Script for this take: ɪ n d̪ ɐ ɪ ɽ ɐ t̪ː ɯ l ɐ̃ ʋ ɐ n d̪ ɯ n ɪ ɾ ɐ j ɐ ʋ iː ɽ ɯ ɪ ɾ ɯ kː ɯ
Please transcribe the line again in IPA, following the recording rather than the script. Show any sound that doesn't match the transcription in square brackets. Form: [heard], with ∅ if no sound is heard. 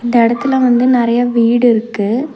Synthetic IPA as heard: ɪ n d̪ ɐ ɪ ɽ ɐ t̪ː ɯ l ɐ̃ ʋ ɐ n d̪ ɯ n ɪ ɾ ɐ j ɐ ʋ iː ɽ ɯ ɪ ɾ ɯ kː ɯ